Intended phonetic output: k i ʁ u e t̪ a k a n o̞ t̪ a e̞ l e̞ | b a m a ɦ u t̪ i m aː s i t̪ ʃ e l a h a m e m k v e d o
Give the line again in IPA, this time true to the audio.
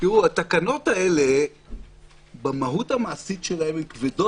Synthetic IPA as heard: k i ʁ u a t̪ a k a n o̞ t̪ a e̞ l e̞ | b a m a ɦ u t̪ a m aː s i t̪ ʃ e l a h e m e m k v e d o